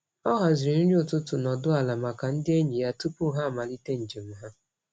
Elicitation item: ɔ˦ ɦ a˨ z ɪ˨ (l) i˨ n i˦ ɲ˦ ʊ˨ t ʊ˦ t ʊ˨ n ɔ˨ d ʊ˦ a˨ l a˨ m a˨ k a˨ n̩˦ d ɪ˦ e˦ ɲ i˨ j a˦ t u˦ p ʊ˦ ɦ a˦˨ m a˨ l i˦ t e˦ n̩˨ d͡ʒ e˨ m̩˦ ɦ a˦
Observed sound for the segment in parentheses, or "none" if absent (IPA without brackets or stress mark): ɾ